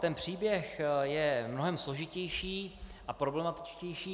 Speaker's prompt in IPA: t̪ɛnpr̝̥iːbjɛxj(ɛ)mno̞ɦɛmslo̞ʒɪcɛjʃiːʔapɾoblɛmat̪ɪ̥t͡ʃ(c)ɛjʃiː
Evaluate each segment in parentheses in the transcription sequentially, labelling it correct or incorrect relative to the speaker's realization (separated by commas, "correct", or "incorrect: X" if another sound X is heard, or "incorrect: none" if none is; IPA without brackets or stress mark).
correct, correct